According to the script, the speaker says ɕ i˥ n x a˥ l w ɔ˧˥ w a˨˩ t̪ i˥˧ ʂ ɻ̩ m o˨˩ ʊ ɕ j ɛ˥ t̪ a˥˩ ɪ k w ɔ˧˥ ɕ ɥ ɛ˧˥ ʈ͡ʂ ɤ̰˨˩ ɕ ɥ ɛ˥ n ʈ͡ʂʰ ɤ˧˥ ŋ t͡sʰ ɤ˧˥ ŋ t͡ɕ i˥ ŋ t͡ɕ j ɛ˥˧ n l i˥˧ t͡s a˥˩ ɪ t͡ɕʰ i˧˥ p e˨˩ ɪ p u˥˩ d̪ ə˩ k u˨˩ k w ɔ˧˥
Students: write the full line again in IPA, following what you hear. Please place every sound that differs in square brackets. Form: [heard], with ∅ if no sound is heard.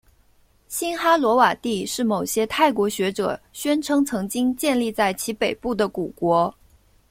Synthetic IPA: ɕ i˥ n x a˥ l w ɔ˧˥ w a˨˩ t̪ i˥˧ ʂ ɻ̩ m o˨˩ ʊ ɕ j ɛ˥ [t̪ʰ] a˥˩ ɪ k w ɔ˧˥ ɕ ɥ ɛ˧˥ ʈ͡ʂ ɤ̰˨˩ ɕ ɥ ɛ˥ n ʈ͡ʂʰ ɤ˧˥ ŋ t͡sʰ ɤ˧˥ ŋ t͡ɕ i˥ ŋ t͡ɕ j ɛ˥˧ n l i˥˧ t͡s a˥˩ ɪ t͡ɕʰ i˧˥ p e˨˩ ɪ p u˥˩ d̪ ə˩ k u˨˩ k w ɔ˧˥